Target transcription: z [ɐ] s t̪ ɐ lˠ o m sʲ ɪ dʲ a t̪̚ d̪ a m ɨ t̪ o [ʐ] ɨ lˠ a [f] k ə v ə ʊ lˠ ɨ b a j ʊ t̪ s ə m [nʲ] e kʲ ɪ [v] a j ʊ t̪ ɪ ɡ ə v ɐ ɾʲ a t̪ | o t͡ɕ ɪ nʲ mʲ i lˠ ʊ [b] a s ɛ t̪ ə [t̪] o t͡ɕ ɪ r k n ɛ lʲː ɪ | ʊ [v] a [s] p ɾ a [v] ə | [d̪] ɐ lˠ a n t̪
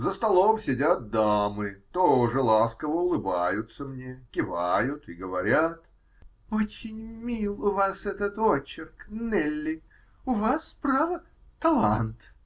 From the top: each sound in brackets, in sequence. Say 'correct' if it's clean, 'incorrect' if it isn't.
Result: incorrect: ə, correct, incorrect: s, correct, correct, incorrect: v, correct, correct, correct, correct, incorrect: t̪

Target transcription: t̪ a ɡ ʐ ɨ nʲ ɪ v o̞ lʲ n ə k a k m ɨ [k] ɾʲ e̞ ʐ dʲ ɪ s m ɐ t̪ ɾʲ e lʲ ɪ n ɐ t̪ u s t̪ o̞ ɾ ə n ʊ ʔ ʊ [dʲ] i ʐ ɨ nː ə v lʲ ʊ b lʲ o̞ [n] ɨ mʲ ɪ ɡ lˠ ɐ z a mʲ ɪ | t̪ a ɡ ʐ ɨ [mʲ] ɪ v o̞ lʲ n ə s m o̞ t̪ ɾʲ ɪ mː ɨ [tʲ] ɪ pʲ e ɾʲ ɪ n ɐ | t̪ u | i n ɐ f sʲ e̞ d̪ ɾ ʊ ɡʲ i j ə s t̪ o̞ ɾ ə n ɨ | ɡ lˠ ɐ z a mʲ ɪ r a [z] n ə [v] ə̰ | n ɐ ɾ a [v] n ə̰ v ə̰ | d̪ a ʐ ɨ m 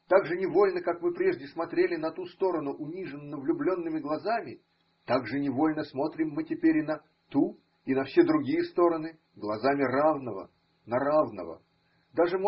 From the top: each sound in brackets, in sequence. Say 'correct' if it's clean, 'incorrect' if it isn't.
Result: incorrect: p, incorrect: nʲ, incorrect: nː, incorrect: nʲ, correct, incorrect: v, correct, correct

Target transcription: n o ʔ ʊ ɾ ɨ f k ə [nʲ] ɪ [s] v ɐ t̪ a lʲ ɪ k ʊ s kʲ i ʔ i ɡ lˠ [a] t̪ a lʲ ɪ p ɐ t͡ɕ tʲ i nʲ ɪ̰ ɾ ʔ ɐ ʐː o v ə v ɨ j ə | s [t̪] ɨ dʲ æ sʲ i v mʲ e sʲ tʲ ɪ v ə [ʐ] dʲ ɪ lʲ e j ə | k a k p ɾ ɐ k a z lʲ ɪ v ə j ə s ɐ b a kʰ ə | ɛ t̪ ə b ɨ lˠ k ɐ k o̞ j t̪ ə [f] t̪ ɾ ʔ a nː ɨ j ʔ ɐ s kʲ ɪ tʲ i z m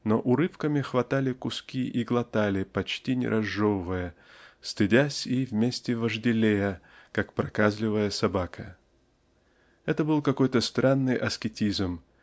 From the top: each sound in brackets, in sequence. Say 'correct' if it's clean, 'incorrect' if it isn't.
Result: incorrect: mʲ, incorrect: x, incorrect: ɐ, correct, correct, incorrect: s

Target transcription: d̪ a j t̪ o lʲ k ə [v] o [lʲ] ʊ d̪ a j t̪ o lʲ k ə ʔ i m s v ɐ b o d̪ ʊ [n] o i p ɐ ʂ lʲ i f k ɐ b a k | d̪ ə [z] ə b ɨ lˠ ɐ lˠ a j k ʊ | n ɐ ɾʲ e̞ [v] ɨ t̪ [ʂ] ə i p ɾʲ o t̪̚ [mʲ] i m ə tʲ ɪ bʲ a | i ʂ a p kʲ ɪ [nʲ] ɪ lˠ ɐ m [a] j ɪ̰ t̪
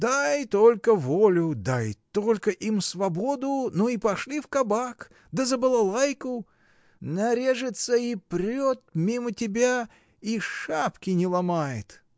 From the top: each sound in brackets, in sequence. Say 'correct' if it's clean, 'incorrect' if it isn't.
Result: correct, correct, correct, correct, incorrect: ʐ, incorrect: s, correct, correct, correct

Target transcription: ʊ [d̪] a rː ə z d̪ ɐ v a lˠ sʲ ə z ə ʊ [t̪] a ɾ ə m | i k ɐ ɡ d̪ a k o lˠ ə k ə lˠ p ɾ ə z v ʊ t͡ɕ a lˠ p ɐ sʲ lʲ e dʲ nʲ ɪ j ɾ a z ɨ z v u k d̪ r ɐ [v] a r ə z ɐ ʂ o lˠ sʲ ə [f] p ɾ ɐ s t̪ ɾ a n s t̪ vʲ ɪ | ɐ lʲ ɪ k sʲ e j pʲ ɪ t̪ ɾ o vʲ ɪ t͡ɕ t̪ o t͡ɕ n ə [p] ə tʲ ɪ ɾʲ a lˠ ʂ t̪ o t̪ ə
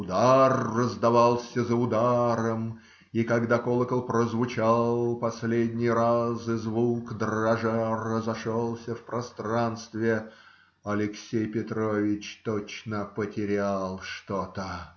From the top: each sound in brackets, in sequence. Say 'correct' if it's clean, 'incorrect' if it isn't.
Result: correct, incorrect: d̪, incorrect: ʐ, correct, correct

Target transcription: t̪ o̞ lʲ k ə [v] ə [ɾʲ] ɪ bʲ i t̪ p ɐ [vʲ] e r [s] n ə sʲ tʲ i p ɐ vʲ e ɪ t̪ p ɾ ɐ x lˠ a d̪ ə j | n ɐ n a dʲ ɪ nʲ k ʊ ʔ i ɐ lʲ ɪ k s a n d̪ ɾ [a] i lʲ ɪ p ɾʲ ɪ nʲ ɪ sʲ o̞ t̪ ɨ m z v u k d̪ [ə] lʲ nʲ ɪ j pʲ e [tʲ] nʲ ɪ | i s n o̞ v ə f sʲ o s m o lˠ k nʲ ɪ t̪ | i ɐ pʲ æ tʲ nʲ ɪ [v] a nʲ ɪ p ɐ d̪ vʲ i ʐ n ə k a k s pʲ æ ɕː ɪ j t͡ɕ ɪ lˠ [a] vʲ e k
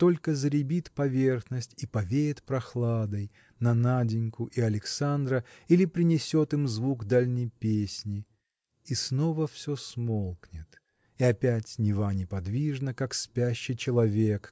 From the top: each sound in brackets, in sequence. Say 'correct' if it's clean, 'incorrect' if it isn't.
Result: incorrect: z, correct, correct, incorrect: x, incorrect: ə, incorrect: a, incorrect: sʲ, correct, incorrect: ɐ

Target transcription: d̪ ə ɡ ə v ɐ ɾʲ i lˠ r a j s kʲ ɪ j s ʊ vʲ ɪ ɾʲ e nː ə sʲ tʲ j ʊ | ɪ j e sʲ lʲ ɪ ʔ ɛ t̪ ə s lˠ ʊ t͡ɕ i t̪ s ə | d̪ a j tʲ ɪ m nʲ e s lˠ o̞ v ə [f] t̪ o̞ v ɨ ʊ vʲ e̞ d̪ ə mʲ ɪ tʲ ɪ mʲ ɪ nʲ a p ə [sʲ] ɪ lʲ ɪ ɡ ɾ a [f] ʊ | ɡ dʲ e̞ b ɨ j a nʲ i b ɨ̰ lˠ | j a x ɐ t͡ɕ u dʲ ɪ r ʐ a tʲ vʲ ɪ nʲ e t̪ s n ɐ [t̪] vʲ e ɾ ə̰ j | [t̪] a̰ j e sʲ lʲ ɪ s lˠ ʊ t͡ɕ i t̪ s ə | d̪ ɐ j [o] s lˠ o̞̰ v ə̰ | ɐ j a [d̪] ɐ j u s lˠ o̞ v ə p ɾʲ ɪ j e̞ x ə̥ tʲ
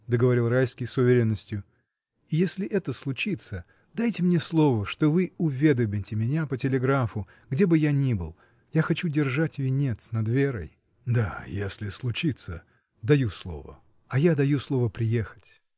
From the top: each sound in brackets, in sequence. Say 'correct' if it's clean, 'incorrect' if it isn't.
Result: incorrect: ʂ, incorrect: tʲ, correct, incorrect: d̪, incorrect: d̪, incorrect: u, correct

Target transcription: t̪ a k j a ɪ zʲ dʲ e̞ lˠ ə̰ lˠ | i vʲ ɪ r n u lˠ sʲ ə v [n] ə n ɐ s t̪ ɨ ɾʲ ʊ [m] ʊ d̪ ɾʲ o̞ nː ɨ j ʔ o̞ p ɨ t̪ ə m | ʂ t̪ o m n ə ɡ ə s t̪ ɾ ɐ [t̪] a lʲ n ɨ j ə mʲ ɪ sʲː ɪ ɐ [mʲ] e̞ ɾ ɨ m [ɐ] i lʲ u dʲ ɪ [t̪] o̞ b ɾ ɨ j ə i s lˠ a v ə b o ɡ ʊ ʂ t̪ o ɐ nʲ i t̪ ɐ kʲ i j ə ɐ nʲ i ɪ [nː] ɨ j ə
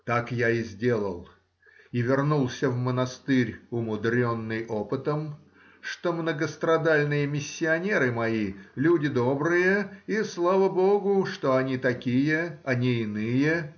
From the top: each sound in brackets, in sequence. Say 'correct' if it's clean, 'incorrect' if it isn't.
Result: incorrect: m, correct, incorrect: d̪, incorrect: nʲ, correct, incorrect: d̪, incorrect: n

